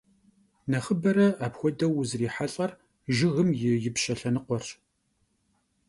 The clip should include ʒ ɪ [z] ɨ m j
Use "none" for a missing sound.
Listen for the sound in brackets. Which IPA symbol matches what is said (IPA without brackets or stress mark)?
ɣ